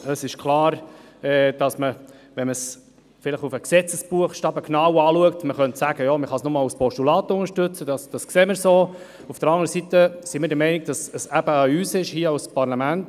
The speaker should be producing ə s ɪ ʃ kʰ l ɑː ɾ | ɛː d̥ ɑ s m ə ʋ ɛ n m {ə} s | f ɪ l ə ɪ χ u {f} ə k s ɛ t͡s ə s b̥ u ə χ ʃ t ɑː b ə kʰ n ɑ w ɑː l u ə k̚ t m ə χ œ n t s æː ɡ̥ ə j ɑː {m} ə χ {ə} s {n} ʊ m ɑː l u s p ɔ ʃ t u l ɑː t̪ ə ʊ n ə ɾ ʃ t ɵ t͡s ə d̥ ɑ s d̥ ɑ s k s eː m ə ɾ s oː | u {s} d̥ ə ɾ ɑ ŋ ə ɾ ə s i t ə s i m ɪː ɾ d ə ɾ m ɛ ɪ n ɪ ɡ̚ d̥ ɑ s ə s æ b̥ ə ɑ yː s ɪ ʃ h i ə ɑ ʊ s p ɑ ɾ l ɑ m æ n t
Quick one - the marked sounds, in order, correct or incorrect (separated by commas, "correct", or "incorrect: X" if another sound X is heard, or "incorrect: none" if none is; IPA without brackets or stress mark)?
correct, correct, correct, incorrect: ɑ, correct, incorrect: f